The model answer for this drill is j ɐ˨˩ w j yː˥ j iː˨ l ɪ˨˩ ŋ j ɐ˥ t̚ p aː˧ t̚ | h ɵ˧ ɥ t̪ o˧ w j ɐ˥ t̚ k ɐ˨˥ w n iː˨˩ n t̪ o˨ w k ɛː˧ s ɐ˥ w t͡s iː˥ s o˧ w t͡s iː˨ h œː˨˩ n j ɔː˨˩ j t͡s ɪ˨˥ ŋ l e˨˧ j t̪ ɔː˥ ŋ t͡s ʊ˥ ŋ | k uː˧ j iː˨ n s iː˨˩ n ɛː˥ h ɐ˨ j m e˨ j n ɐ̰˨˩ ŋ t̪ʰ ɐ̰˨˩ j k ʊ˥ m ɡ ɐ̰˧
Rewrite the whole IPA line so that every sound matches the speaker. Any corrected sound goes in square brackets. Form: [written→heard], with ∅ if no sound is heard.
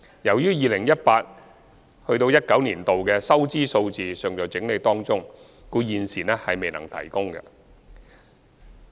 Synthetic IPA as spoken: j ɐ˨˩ w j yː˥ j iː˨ l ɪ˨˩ ŋ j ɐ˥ t̚ p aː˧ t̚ | h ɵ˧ ɥ t̪ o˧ w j ɐ˥ t̚ k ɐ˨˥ w n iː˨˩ n t̪ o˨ w k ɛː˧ s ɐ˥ w t͡s iː˥ s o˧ w t͡s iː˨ [h→s] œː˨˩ [n→ŋ] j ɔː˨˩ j t͡s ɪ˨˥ ŋ l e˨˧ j t̪ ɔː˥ ŋ t͡s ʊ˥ ŋ | k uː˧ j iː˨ n s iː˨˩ n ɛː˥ h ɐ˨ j m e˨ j n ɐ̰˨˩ ŋ t̪ʰ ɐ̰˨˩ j k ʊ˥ [m→ŋ] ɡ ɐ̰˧